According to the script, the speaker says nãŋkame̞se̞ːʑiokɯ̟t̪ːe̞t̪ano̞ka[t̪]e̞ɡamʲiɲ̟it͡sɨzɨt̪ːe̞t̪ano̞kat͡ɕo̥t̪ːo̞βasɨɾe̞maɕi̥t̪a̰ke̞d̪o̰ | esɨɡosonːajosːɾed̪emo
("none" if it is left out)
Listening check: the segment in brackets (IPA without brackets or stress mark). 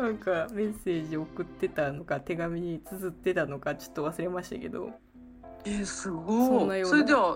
t̪